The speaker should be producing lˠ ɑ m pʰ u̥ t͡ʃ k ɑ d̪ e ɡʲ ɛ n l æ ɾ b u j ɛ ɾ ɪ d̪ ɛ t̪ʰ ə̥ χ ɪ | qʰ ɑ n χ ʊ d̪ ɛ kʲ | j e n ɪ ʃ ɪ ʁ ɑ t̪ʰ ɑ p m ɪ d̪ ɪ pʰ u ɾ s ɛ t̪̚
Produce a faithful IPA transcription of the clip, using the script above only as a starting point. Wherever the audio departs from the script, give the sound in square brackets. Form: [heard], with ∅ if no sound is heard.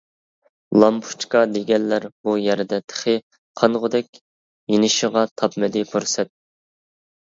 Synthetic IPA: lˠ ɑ m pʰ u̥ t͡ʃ k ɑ d̪ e ɡʲ ɛ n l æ ɾ b u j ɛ ɾ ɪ d̪ ɛ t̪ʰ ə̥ χ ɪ | qʰ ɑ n [ʁ] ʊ d̪ ɛ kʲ | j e n ɪ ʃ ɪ ʁ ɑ t̪ʰ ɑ p m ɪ d̪ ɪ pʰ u ɾ s ɛ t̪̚